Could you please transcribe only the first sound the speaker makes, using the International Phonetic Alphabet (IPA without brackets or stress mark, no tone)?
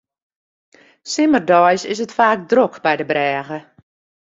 s